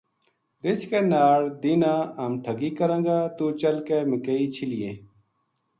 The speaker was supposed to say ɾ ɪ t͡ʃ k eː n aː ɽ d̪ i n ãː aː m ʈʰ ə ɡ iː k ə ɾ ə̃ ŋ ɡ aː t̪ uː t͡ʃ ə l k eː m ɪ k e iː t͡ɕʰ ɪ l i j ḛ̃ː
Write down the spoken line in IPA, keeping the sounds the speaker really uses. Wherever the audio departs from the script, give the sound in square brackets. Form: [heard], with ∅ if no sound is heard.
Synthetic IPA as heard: ɾ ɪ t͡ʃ k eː n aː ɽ d̪ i n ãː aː m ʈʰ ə ɡ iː k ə ɾ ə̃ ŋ ɡ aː t̪ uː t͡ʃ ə l k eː m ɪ k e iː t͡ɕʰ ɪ l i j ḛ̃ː